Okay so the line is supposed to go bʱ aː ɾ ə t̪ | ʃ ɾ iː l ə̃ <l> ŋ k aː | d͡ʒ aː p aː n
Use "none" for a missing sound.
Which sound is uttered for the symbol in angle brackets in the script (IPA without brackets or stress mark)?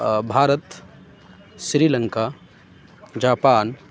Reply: none